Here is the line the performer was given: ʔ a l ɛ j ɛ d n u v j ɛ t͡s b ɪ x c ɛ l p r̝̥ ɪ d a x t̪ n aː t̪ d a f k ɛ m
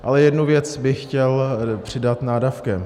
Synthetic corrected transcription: ʔ a l ɛ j ɛ d n u v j ɛ t͡s b ɪ x c ɛ l p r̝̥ ɪ d a t̪ n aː d a f k ɛ m

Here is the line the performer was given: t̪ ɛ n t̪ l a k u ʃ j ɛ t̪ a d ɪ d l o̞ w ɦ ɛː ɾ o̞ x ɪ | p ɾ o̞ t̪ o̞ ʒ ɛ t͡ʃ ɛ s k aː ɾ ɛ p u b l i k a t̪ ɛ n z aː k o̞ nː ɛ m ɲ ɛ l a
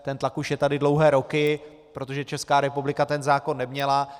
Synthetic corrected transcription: t̪ ɛ n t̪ l a k u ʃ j ɛ t̪ a d ɪ d l o̞ w ɦ ɛː ɾ o̞ k ɪ | p ɾ o̞ t̪ o̞ ʒ ɛ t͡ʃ ɛ s k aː ɾ ɛ p u b l ɪ k a t̪ ɛ n z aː k o̞ nː ɛ m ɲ ɛ l a

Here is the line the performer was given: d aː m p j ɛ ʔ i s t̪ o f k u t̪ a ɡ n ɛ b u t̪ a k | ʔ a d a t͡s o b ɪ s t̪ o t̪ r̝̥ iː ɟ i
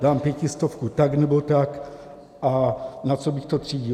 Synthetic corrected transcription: d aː m p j ɛ c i s t̪ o f k u t̪ a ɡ n ɛ b o t̪ a k | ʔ a n a t͡s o b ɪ x t̪ o t̪ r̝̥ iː ɟ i

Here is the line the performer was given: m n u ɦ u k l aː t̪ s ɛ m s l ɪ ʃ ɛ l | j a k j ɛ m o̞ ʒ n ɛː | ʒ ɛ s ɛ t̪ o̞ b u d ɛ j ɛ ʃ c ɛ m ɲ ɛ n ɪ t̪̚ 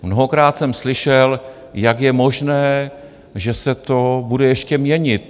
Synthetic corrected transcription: m n o ɦ o k ɾ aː t̪ s ɛ m s l ɪ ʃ ɛ l | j a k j ɛ m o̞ ʒ n ɛː | ʒ ɛ s ɛ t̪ o̞ b u d ɛ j ɛ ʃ c ɛ m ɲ ɛ ɲ ɪ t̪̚

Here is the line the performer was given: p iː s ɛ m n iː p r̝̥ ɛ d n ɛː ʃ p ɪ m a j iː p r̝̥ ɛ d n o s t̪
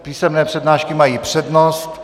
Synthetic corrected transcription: p iː s ɛ m n ɛː p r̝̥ ɛ d n aː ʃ k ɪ m a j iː p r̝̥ ɛ d n o s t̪

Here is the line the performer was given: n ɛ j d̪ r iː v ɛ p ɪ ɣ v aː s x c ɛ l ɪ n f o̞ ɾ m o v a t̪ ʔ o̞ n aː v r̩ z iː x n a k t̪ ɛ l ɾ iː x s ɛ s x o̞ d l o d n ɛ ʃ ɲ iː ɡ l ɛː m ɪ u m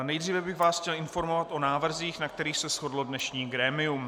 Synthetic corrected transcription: n ɛ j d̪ r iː v ɛ b ɪ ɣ v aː s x c ɛ l ɪ n f o̞ ɾ m o v a t̪ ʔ o̞ n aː v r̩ z iː x n a k t̪ ɛ ɾ iː x s ɛ s x o̞ d l o d n ɛ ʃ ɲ iː ɡ ɾ ɛː m ɪ u m

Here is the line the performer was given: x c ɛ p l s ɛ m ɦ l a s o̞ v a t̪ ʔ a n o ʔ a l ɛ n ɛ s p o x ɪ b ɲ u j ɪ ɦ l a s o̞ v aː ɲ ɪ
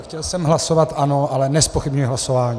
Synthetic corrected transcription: x c ɛ l s ɛ m ɦ l a s o̞ v a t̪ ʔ a n o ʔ a l ɛ n ɛ s p o x ɪ b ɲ u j ɪ ɦ l a s o̞ v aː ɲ i

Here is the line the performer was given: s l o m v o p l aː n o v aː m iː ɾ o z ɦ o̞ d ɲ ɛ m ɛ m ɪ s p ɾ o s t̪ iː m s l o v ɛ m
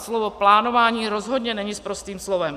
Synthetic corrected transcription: s l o v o p l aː n o v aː ɲ iː ɾ o z ɦ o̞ d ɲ ɛ n ɛ ɲ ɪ s p ɾ o s t̪ iː m s l o v ɛ m

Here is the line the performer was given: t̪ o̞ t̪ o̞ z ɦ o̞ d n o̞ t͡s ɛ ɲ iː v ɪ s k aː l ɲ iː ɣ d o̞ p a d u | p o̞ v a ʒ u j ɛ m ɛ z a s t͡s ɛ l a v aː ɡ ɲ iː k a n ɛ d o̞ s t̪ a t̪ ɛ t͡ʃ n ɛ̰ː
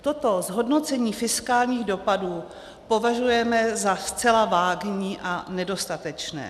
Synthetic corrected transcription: t̪ o̞ t̪ o̞ z ɦ o̞ d n o̞ t͡s ɛ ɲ iː f ɪ s k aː l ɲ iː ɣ d o̞ p a d uː | p o̞ v a ʒ u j ɛ m ɛ z a s t͡s ɛ l a v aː ɡ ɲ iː ʔ a n ɛ d o̞ s t̪ a t̪ ɛ t͡ʃ n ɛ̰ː

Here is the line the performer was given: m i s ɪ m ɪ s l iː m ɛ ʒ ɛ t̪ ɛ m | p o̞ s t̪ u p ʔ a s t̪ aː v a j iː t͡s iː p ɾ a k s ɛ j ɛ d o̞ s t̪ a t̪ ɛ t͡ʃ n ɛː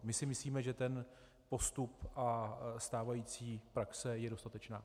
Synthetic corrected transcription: m ɪ s ɪ m ɪ s l iː m ɛ ʒ ɛ t̪ ɛ n | p o̞ s t̪ u p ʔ a s t̪ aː v a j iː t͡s iː p ɾ a k s ɛ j ɛ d o̞ s t̪ a t̪ ɛ t͡ʃ n aː

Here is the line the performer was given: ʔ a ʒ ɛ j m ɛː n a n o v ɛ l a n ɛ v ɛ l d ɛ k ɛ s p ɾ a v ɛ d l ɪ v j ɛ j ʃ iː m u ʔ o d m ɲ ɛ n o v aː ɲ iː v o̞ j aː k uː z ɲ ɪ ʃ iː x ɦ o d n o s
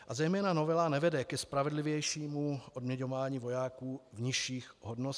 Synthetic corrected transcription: ʔ a z ɛ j m ɛː n a n o v ɛ l a n ɛ v ɛ d ɛ k ɛ s p ɾ a v ɛ d l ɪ v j ɛ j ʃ iː m u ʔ o d m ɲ ɛ ɲ o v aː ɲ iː v o̞ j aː k uː v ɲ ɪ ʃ iː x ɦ o d n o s

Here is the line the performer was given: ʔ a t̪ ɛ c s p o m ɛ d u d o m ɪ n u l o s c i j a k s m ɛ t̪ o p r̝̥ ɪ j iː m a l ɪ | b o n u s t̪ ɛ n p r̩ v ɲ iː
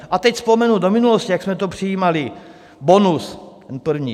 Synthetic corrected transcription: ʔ a t̪ ɛ c s p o m ɛ n u d o m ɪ n u l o s c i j a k s m ɛ t̪ o p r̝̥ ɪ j iː m a l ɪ | b o n u s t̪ ɛ n p r̩ v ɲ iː

